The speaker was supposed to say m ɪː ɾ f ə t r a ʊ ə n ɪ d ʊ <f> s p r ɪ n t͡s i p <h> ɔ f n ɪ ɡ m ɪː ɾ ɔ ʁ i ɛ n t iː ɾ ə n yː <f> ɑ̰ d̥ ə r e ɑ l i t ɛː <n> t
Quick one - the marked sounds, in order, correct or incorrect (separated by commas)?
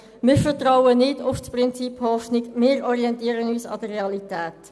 correct, correct, incorrect, incorrect